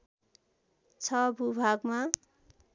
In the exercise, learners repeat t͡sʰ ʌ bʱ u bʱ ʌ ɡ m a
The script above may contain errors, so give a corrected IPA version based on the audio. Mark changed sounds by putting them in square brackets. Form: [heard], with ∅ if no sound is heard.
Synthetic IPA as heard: t͡sʰ ʌ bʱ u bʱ [a] ɡ m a